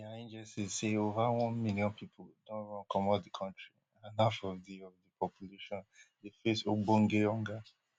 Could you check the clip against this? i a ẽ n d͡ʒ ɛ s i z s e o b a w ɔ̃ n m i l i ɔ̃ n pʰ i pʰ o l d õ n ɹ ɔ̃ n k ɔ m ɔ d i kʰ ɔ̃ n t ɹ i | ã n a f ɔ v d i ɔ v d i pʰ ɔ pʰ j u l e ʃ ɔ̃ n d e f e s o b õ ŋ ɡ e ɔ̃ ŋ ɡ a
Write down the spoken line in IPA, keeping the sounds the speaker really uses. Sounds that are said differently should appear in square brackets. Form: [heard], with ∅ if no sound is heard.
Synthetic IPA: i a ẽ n d͡ʒ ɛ s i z s e o [v] a w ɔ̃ n m i l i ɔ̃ n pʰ i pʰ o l d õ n ɹ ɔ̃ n k ɔ m ɔ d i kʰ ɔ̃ n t ɹ i | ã n a f ɔ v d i ɔ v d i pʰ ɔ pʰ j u l e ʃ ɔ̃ n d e f e s o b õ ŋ ɡ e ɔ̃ ŋ ɡ a